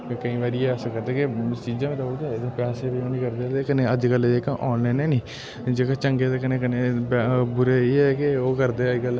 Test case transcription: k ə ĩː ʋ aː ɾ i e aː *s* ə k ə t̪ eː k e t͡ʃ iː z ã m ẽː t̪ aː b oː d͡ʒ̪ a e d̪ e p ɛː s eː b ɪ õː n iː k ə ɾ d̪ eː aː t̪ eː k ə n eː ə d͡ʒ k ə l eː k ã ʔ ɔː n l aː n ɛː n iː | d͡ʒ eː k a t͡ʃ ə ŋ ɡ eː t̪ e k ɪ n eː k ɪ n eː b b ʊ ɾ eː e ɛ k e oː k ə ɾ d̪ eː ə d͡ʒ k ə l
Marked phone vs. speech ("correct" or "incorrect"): correct